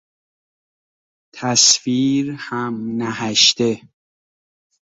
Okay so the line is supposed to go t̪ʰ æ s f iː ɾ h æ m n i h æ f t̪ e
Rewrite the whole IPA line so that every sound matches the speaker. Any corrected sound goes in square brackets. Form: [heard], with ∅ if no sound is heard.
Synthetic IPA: t̪ʰ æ s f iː ɾ h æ m n [æ] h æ [ʃ] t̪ e